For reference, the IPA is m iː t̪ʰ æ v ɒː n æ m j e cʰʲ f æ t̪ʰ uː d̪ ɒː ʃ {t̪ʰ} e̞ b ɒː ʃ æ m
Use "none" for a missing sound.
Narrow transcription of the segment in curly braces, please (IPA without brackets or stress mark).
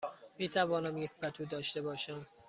t̪